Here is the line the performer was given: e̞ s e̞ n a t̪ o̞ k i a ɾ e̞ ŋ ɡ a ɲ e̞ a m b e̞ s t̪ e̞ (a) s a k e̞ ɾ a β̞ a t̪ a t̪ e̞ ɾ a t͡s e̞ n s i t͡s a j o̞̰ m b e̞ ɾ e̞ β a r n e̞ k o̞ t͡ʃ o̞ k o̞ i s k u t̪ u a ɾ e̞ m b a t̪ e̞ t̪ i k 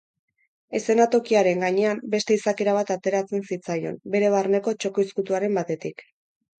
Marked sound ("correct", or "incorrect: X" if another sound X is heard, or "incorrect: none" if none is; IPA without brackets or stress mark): incorrect: i